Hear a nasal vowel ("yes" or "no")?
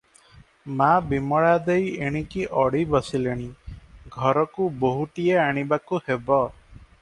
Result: no